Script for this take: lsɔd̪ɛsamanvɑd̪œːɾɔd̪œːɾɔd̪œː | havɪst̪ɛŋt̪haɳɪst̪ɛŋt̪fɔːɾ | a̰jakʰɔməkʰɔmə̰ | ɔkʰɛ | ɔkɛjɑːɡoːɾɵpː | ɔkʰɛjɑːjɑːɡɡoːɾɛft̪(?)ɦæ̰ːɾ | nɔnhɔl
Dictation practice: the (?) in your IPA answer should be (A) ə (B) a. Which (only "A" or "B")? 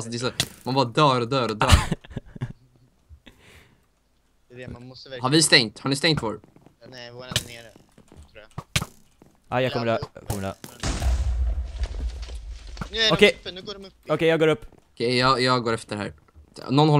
A